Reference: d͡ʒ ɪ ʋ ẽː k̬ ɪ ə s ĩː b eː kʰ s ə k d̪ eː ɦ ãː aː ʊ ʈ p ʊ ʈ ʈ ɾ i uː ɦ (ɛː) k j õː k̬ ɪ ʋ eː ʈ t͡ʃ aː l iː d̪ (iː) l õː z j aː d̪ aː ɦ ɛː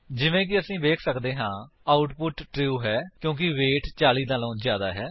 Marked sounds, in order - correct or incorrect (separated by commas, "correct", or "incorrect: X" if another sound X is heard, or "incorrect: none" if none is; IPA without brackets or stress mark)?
correct, incorrect: aː